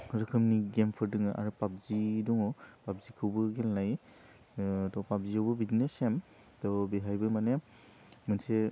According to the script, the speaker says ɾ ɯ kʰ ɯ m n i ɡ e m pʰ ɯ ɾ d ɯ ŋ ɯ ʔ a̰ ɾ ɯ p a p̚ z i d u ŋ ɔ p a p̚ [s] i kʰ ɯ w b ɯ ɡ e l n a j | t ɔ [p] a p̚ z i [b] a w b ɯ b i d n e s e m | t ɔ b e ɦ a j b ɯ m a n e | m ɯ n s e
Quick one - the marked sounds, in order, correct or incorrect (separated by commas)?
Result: incorrect, correct, incorrect